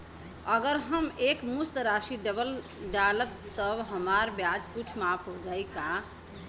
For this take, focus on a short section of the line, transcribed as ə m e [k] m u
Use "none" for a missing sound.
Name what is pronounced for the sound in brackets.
k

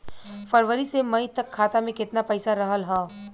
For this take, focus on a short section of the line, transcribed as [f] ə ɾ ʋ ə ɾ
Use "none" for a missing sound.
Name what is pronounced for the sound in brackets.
f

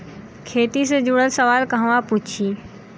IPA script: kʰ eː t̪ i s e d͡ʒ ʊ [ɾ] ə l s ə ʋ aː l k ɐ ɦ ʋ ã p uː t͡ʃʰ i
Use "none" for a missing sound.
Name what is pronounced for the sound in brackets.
ɽ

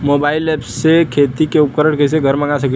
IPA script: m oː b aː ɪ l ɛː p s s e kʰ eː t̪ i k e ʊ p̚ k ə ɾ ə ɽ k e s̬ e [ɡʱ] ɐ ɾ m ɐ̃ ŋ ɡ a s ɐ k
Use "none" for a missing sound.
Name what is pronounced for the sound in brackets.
ɡʱ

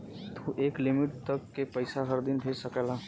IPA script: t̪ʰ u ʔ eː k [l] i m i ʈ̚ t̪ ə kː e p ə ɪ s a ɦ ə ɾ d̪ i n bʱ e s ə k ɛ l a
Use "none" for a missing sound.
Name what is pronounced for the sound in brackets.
l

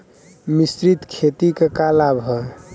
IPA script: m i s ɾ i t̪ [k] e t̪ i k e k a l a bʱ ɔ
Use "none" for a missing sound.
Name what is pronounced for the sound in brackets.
kʰ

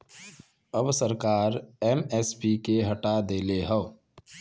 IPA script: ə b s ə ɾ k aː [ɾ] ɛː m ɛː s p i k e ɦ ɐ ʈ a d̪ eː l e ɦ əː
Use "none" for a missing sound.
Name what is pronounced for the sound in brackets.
ɾ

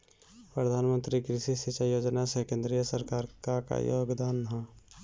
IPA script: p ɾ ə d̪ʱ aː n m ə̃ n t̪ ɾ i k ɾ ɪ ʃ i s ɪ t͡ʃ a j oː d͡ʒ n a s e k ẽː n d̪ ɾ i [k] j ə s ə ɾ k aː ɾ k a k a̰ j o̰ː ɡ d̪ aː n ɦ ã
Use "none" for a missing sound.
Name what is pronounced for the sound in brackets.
none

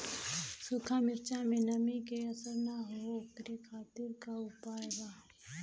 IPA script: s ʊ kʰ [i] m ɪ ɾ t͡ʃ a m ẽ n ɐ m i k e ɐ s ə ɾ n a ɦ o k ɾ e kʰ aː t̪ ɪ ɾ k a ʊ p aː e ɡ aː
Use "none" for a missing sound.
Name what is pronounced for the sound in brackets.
a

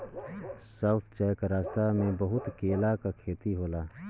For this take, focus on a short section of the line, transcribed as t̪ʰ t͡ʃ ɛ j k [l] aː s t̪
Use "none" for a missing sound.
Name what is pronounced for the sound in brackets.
ɾ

